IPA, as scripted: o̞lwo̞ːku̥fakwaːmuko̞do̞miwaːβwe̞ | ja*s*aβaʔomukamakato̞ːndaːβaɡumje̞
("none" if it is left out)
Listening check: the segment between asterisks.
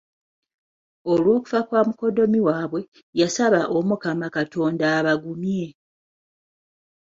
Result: s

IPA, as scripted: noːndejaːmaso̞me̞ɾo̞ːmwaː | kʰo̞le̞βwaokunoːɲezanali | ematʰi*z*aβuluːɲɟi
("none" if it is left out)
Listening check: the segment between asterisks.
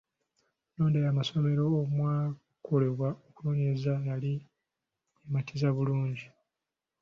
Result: z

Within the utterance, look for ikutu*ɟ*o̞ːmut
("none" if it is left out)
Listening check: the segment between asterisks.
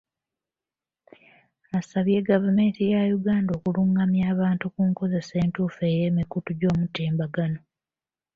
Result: ɟ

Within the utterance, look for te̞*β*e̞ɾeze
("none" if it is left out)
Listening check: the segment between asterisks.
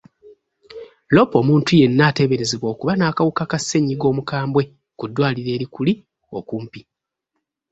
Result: β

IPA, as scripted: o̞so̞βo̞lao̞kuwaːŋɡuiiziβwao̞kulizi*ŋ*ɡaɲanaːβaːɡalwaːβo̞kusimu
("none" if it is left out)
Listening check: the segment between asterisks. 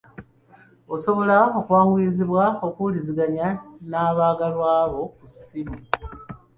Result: none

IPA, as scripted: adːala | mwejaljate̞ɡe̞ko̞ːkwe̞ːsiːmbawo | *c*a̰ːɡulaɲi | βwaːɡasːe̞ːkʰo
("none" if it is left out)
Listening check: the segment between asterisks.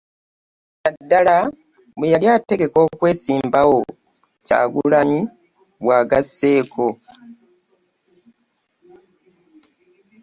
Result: c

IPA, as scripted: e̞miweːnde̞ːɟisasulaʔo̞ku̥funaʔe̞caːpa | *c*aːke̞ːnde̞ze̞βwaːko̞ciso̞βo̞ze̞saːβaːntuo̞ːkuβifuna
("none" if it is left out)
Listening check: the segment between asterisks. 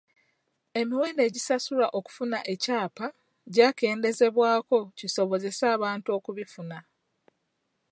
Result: ɟ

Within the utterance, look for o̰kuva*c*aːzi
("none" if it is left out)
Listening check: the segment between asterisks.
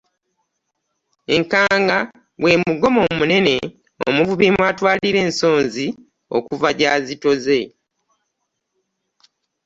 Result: ɟ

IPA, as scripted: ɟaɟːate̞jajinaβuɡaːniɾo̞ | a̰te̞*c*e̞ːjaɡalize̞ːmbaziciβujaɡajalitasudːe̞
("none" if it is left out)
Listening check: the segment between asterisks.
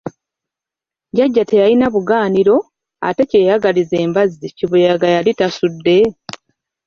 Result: c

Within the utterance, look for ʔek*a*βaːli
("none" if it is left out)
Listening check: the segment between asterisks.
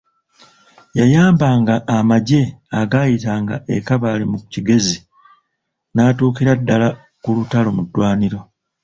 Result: a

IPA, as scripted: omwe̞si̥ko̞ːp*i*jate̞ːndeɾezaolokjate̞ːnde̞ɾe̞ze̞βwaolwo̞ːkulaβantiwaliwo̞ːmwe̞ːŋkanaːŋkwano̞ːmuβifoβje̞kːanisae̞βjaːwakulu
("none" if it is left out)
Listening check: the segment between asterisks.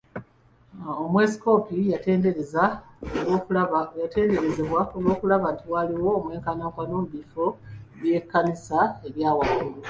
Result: i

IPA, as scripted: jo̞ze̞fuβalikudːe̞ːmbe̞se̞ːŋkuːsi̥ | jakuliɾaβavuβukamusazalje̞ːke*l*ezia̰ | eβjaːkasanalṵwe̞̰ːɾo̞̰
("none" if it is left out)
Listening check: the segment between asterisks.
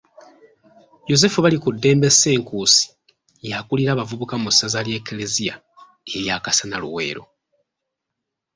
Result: l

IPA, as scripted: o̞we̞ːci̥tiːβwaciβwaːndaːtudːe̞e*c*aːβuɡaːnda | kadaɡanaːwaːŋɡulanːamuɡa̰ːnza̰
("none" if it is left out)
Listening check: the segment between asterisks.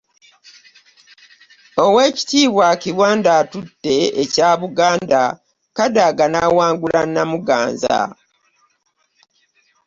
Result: c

